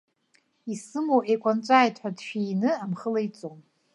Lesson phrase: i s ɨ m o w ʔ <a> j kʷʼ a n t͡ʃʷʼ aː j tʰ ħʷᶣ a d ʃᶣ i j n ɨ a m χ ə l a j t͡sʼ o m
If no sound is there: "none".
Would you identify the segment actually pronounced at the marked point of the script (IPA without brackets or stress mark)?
e